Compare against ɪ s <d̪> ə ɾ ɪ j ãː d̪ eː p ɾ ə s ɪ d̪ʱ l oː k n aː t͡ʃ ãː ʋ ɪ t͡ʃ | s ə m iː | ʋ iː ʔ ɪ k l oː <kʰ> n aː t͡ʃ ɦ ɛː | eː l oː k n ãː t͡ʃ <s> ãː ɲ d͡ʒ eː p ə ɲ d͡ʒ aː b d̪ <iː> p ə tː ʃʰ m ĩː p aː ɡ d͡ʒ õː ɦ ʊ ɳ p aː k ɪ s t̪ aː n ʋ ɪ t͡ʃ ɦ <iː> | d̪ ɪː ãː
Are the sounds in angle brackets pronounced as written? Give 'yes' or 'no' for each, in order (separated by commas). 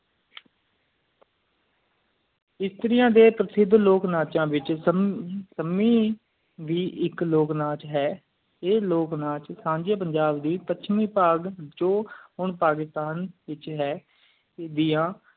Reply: no, no, yes, yes, no